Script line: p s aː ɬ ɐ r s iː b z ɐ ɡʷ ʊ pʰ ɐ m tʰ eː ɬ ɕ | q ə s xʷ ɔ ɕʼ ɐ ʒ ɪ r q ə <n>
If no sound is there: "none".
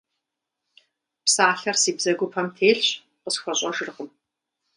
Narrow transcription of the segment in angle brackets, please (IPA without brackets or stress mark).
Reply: m